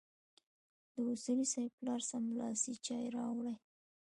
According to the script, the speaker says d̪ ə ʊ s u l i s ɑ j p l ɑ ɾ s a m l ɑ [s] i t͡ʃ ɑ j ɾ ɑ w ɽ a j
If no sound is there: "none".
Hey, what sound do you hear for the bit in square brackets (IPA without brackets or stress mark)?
s